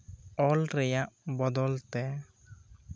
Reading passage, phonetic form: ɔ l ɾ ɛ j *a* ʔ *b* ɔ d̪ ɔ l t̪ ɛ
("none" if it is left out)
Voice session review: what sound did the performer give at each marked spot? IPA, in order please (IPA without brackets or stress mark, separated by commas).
a, b